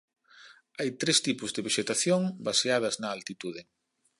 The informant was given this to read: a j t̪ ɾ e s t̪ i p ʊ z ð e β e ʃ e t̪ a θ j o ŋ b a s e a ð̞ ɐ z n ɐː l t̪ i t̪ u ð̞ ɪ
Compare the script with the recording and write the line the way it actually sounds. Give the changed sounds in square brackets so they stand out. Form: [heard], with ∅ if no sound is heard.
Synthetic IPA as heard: a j t̪ ɾ e s t̪ i p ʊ z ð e β e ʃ e t̪ a θ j o ŋ b a s e a ð̞ ɐ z n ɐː l t̪ i t̪ u ð̞ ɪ

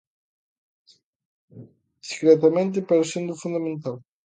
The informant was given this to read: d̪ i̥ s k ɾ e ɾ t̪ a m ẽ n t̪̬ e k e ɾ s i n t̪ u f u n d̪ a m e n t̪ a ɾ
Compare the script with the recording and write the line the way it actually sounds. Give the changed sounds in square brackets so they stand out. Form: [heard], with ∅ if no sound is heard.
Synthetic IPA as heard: d̪ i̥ s k ɾ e [∅] t̪ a m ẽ n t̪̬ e [p] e ɾ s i n [d̪] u f u n d̪ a m e n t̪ a [l]

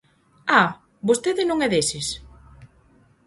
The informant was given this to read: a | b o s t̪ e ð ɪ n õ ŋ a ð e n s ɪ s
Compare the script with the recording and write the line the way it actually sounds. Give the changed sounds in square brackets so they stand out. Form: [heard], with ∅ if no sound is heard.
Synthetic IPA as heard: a | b o s t̪ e ð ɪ n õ ŋ [ɛ] ð e [∅] s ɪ s

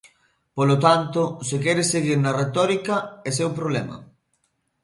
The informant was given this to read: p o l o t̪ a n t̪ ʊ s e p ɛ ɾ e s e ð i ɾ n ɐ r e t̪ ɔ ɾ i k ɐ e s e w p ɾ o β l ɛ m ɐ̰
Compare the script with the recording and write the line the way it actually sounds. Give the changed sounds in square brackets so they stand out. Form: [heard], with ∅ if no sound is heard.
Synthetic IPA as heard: p o l o t̪ a n t̪ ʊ s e [k] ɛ ɾ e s e [ɣ] i ɾ n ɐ r e t̪ ɔ ɾ i k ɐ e s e w p ɾ o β l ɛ m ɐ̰

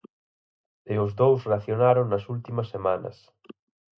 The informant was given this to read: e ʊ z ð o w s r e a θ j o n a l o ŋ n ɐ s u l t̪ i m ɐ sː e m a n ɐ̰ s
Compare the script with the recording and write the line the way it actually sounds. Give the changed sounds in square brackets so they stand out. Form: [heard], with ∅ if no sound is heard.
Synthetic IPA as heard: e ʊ z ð o w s r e a θ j o n a [ɾ] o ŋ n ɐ s u l t̪ i m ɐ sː e m a n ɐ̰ s

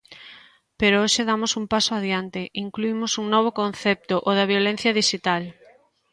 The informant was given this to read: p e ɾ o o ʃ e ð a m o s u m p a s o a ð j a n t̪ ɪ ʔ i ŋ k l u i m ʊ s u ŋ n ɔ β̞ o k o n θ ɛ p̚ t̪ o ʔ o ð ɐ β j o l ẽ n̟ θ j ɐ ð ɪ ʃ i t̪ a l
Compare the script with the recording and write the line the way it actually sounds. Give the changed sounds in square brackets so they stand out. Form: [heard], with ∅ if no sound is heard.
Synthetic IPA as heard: p e ɾ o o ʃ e ð a m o s u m p a s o a ð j a n t̪ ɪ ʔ i ŋ k l u i m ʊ s u ŋ n ɔ β̞ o k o n θ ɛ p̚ t̪ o ʔ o ð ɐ β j o l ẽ n̟ θ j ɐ ð [i] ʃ i t̪ a l

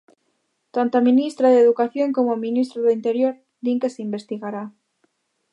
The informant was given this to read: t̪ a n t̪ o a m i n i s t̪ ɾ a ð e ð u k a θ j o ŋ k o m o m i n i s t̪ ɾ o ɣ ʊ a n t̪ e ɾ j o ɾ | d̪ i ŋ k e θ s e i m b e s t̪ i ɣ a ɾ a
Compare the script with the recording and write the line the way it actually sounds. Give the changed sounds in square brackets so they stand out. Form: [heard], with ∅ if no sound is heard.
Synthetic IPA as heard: t̪ a n t̪ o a m i n i s t̪ ɾ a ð e ð u k a θ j o ŋ k o m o m i n i s t̪ ɾ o [ð] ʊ [i] n t̪ e ɾ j o ɾ | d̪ i ŋ k e [∅] s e i m b e s t̪ i ɣ a ɾ a

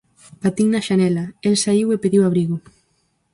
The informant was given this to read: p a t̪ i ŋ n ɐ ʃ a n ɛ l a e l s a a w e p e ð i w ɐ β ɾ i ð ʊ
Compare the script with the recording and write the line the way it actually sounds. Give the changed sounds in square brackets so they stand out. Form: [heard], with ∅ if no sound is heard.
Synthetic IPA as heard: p a t̪ i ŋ n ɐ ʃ a n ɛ l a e l s a [i] w e p e ð i w [a] β ɾ i [ɣ] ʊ

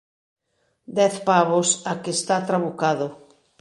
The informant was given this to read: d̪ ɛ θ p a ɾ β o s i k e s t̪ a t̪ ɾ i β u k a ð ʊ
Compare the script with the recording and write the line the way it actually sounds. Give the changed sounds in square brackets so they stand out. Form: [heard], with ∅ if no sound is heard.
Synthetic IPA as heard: d̪ ɛ θ p a [∅] β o s [a] k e s t̪ a t̪ ɾ [a] β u k a ð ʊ

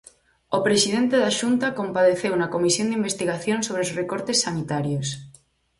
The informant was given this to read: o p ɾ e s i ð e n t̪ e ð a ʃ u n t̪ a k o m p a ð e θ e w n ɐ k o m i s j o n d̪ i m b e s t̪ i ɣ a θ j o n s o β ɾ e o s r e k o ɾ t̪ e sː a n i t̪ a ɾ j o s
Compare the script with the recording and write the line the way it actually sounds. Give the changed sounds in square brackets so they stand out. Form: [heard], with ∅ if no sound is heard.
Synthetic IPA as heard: o p ɾ e s i ð e n t̪ e ð a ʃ u n t̪ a k o m p a ð e θ e w n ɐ k o m i s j o n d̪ i m b e s t̪ i ɣ a θ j o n s o β ɾ e o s r e k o ɾ t̪ e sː a n i t̪ a ɾ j o s

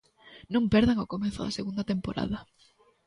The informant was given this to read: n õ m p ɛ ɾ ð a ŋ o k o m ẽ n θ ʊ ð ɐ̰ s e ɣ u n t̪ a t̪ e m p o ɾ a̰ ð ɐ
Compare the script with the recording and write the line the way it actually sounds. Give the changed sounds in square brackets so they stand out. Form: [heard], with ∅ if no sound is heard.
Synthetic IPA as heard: n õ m p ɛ ɾ ð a ŋ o k o m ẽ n θ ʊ ð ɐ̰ s e ɣ u n [d̪] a t̪ e m p o ɾ a̰ ð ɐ

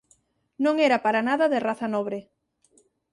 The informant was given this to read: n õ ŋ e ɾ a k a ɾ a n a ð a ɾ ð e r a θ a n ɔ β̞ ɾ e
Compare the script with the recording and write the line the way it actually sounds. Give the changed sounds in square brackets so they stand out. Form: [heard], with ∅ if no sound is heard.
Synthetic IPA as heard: n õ ŋ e ɾ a [p] a ɾ a n a ð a [∅] ð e r a θ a n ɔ β̞ ɾ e

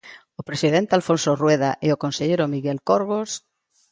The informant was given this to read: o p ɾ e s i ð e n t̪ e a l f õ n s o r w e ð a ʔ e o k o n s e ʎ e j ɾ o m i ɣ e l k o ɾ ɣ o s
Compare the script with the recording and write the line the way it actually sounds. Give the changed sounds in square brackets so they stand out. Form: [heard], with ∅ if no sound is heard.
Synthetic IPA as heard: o p ɾ e s i ð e n t̪ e a l f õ n s o r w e ð a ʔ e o k o n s e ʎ e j ɾ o m i ɣ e l k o ɾ ɣ o s

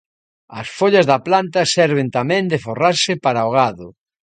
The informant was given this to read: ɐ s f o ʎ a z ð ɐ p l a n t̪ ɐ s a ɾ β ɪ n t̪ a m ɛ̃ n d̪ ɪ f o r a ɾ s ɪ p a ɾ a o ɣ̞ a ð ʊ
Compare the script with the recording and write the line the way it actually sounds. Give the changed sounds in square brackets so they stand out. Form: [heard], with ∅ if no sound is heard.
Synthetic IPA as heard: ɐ s f o ʎ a z ð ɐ p l a n t̪ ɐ s [ɛ] ɾ β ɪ n t̪ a m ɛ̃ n d̪ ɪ f o r a ɾ s ɪ p a ɾ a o ɣ̞ a ð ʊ

